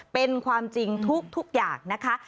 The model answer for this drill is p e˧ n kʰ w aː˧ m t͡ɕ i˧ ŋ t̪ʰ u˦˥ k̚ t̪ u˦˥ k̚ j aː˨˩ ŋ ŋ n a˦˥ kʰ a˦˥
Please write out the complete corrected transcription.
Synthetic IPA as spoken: p e˧ n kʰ w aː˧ m t͡ɕ i˧ ŋ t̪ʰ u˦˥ k̚ t̪ʰ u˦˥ k̚ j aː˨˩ ŋ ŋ n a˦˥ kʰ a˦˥